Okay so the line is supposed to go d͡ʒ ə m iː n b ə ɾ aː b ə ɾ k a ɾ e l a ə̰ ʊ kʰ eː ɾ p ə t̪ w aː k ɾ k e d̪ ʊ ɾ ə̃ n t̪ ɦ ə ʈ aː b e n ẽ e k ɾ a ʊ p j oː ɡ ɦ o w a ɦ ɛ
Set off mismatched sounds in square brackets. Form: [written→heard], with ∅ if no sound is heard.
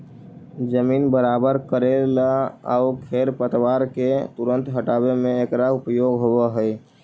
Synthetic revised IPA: d͡ʒ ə m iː n b ə ɾ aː b ə ɾ k [a→ə] ɾ e l a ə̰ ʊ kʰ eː ɾ p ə t̪ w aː [k→∅] ɾ k e [d̪→t̪] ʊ ɾ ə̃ n t̪ ɦ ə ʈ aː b e [n→m] ẽ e k ɾ a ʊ p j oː ɡ ɦ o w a ɦ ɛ